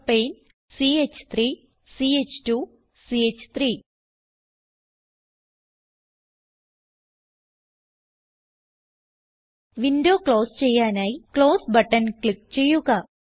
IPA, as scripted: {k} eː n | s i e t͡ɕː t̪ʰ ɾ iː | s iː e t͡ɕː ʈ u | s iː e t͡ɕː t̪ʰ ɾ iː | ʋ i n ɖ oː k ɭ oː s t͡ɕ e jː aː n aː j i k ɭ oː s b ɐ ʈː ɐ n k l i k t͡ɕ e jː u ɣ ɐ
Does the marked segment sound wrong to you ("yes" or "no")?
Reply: yes